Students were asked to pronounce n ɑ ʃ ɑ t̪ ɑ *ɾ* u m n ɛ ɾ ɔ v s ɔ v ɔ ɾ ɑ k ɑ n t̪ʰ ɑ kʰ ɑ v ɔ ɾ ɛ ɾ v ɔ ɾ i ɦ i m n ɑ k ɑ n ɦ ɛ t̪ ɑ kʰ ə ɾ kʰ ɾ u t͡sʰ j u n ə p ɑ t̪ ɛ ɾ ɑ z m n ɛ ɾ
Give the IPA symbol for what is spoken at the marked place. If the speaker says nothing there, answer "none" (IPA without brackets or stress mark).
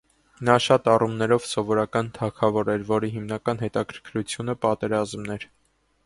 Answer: r